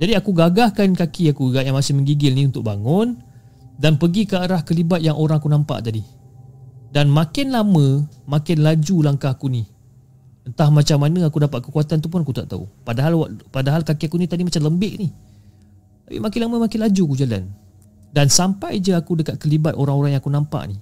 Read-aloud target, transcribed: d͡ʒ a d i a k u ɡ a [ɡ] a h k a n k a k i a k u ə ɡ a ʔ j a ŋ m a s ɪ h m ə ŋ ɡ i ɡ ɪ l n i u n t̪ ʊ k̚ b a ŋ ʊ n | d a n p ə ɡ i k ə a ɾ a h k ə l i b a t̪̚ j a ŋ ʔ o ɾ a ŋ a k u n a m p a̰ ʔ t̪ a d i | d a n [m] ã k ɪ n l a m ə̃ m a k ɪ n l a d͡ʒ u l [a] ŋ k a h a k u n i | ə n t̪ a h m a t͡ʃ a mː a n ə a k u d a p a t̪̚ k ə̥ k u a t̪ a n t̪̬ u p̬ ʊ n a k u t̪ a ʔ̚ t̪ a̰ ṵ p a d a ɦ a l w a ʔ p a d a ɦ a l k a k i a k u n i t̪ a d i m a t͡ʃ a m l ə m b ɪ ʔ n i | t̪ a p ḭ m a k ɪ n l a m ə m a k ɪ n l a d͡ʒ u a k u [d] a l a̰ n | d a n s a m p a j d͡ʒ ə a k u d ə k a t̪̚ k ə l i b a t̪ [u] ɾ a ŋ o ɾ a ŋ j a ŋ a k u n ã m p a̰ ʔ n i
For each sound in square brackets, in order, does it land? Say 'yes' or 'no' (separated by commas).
yes, yes, yes, no, no